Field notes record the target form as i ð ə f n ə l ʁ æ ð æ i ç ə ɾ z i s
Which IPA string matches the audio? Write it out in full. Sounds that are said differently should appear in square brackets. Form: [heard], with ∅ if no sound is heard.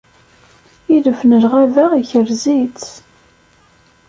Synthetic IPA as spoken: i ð ə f n ə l ʁ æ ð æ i ç ə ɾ z i [t͡s]